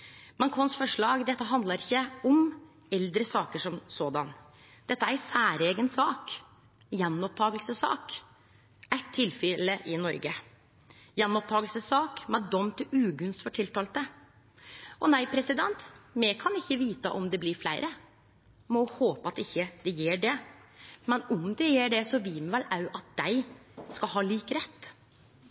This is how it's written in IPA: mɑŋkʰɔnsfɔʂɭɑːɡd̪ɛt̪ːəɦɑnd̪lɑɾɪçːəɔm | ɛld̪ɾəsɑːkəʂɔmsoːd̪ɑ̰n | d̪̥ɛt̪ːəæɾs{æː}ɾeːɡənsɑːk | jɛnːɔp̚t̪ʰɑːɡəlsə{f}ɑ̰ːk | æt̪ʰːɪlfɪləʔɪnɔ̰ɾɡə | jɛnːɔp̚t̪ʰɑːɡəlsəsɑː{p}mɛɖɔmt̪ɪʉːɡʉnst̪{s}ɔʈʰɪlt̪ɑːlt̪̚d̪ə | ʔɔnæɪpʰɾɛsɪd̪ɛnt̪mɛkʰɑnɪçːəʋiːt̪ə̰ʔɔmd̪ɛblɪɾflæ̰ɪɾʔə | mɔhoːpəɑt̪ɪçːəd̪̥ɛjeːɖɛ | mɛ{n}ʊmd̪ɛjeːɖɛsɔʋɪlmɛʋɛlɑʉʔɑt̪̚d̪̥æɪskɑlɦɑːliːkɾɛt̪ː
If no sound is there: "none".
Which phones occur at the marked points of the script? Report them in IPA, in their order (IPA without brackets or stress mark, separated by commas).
æː, s, k, f, n